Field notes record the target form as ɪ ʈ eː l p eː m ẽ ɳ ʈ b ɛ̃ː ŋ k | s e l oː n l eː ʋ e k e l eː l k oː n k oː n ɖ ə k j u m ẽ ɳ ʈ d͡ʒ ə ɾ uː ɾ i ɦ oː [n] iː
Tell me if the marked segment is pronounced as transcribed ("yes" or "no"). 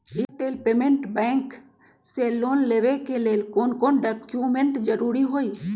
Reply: no